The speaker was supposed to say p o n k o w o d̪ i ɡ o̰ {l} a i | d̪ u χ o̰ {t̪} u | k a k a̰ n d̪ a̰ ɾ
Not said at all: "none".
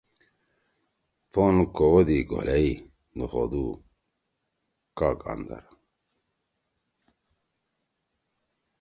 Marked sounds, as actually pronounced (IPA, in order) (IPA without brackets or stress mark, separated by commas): l, d̪